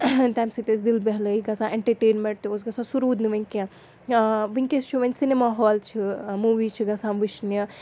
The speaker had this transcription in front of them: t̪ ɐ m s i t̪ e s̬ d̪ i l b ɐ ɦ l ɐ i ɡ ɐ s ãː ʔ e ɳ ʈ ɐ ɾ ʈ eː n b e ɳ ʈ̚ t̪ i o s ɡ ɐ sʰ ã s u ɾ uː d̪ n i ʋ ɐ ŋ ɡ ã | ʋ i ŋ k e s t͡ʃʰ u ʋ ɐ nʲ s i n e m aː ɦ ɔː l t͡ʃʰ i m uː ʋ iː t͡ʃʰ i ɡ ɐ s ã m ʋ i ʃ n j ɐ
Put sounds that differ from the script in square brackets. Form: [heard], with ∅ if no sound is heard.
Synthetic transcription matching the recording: t̪ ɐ m s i t̪ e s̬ d̪ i l b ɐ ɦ l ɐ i ɡ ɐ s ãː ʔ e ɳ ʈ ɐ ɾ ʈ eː n [m] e ɳ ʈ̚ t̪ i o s ɡ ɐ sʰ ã s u ɾ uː d̪ n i ʋ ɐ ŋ [k] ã | ʋ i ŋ k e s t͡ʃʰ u ʋ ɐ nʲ s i n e m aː ɦ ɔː l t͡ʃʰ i m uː ʋ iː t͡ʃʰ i ɡ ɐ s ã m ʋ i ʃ n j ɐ